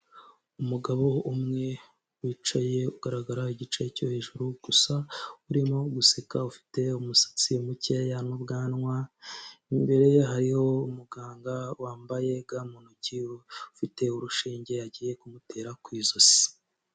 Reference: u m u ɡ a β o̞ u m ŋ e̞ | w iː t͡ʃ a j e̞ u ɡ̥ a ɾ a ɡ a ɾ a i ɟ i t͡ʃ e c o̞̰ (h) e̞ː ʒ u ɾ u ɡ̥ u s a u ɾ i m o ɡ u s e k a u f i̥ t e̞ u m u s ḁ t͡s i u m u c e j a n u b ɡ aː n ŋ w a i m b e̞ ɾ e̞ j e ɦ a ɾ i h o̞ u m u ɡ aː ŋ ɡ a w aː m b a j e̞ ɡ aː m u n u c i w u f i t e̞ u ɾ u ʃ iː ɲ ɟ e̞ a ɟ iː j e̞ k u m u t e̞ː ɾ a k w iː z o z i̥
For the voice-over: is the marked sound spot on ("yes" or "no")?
yes